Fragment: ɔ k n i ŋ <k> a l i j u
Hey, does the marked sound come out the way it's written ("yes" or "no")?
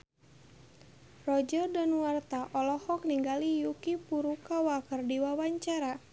no